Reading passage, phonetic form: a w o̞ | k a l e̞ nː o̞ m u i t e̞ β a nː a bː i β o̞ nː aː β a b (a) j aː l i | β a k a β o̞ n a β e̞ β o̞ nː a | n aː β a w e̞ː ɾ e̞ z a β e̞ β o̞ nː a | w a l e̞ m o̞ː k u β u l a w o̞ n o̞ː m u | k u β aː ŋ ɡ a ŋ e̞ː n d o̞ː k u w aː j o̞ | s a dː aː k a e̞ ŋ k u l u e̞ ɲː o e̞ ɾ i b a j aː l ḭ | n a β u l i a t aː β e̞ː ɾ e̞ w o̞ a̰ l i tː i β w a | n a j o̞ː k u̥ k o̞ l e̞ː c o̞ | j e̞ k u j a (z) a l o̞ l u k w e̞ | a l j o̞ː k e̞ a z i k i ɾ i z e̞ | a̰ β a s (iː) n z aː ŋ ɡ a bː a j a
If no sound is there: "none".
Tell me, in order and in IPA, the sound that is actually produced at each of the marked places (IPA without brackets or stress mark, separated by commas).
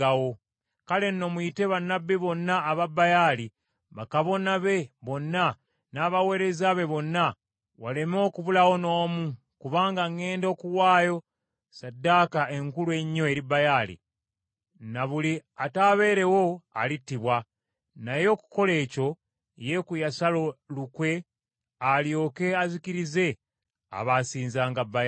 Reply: a, s, iː